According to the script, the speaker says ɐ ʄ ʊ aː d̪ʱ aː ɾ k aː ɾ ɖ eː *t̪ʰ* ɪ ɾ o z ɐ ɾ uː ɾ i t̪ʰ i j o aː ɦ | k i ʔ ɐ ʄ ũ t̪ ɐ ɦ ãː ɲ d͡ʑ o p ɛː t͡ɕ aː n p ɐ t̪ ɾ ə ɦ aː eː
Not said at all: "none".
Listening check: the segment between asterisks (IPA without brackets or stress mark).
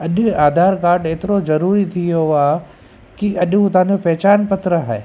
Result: t̪